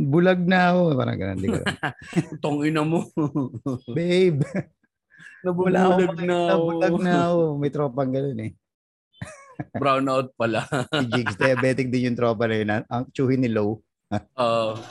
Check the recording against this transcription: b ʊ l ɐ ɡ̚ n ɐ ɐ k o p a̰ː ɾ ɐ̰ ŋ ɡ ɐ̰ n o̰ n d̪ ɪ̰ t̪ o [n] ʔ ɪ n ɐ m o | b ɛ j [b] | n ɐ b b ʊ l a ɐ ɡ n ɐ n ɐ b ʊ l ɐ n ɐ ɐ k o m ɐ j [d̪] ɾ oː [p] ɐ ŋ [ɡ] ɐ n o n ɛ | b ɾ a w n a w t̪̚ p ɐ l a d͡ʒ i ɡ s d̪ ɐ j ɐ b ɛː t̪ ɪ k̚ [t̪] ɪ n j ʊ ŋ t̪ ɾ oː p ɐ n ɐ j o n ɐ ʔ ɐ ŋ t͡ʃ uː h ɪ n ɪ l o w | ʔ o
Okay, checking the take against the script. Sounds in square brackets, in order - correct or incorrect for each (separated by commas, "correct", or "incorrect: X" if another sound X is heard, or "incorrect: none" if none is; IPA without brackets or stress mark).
incorrect: ŋ, correct, incorrect: t̪, correct, correct, incorrect: d̪